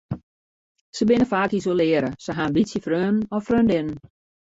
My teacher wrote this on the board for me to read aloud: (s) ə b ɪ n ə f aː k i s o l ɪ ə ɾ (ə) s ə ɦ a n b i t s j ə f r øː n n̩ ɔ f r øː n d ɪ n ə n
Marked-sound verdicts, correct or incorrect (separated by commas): correct, correct